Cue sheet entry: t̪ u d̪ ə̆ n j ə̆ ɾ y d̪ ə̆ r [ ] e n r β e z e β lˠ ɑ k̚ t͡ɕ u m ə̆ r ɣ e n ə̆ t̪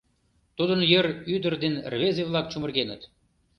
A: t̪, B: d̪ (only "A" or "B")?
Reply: B